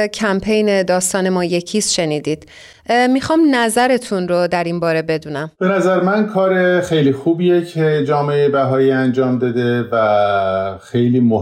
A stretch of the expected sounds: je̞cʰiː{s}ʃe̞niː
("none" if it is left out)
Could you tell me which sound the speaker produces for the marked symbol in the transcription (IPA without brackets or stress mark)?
s